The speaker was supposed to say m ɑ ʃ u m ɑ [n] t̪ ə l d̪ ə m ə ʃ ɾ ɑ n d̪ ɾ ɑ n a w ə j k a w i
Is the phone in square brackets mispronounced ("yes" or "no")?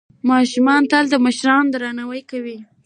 no